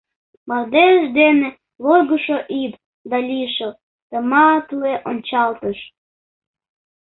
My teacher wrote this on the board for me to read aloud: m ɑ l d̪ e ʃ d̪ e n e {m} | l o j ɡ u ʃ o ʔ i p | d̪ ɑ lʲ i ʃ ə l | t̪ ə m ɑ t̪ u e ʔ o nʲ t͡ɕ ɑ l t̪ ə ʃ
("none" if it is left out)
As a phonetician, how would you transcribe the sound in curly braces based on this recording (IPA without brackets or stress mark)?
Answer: none